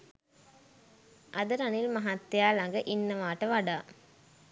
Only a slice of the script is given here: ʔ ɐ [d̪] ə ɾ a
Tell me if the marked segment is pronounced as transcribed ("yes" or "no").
yes